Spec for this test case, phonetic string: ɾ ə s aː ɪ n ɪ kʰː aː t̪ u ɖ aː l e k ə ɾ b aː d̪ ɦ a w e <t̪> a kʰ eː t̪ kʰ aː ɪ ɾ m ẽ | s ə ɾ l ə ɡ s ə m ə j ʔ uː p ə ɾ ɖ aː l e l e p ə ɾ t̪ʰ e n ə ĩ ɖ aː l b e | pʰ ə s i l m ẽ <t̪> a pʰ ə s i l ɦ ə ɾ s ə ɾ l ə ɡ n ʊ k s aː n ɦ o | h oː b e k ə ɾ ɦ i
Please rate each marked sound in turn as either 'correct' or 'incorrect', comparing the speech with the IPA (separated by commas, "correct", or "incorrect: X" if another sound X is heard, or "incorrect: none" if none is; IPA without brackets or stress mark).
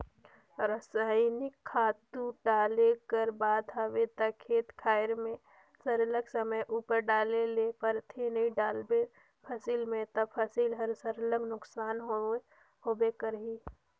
correct, correct